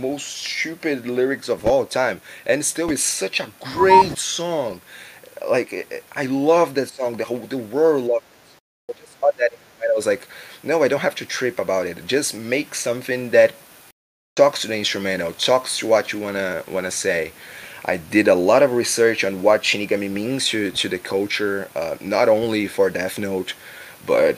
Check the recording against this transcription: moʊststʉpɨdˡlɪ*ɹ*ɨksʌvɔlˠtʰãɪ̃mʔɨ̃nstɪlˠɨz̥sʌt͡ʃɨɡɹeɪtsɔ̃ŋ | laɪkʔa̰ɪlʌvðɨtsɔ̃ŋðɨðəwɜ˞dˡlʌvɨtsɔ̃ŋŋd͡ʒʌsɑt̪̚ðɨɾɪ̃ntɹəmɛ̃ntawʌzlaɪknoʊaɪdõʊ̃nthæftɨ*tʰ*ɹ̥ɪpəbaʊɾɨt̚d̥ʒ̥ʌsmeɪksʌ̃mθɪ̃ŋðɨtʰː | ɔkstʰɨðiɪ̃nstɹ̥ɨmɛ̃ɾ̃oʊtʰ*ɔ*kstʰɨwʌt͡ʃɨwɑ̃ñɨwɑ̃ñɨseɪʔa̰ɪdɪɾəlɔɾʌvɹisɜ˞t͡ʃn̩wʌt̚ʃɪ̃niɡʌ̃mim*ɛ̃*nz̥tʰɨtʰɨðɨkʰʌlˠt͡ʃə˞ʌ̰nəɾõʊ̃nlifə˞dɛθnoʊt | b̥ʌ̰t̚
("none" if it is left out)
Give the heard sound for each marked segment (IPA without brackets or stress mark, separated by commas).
ɹ, tʰ, ɔ, ĩ